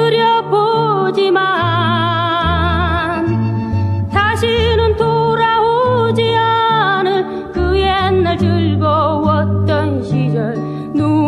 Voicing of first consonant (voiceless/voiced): voiced